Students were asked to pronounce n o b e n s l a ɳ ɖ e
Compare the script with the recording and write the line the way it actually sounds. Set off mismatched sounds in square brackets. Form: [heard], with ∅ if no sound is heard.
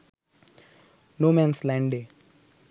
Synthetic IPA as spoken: n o [m] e n s l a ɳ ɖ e